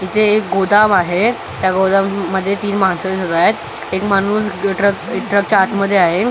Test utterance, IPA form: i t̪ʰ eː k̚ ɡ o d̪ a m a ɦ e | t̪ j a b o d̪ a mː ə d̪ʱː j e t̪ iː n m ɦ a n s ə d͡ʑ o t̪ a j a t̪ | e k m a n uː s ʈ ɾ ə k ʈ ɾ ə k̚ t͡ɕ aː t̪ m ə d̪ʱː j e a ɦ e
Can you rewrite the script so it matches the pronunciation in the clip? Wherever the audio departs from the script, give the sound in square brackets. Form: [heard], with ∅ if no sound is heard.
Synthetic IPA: i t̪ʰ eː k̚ ɡ o d̪ a m a ɦ e | t̪ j a [ɡ] o d̪ a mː ə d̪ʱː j e t̪ iː n m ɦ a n s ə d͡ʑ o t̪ a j a t̪ | e k m a n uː s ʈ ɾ ə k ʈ ɾ ə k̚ t͡ɕ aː t̪ m ə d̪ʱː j e a ɦ e